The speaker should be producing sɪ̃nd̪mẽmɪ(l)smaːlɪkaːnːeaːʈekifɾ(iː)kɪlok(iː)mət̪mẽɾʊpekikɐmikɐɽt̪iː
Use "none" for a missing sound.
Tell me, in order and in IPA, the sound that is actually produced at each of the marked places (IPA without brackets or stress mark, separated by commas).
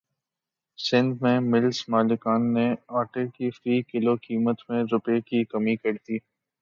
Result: l, iː, iː